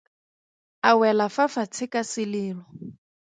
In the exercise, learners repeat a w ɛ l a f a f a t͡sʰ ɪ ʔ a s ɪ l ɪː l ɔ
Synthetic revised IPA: a w ɛ l a f a f a t͡sʰ ɪ k a s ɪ l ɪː l ɔ